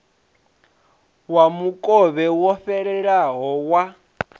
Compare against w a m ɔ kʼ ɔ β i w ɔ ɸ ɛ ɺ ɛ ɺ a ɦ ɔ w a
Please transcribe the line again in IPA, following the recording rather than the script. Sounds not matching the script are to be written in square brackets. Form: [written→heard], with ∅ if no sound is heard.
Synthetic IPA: w a m [ɔ→u] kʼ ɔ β [i→ɛ] w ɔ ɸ ɛ ɺ ɛ ɺ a ɦ ɔ w a